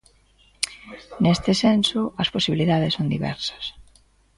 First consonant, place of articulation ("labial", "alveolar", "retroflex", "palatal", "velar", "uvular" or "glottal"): alveolar